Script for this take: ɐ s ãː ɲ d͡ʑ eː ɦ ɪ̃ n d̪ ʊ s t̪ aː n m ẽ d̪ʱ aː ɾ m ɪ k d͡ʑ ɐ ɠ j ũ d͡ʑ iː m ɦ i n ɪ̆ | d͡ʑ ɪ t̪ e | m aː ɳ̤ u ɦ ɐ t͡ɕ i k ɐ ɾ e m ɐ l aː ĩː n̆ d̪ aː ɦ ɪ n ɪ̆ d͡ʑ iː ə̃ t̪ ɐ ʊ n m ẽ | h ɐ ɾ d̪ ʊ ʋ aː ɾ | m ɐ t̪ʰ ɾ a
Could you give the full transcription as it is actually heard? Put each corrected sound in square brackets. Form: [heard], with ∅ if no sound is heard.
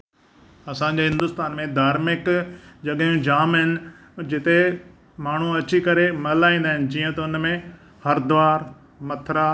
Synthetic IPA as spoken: ɐ s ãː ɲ d͡ʑ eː ɦ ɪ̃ n d̪ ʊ s t̪ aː n m ẽ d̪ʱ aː ɾ m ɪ k d͡ʑ ɐ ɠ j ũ d͡ʑ [aː] m ɦ [ɪ] n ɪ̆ | d͡ʑ ɪ t̪ e | m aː ɳ̤ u [∅] ɐ t͡ɕ i k ɐ ɾ e m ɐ l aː ĩː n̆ d̪ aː ɦ ɪ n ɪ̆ d͡ʑ iː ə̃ t̪ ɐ ʊ n m ẽ | h ɐ ɾ d̪ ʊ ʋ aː ɾ | m ɐ t̪ʰ ɾ a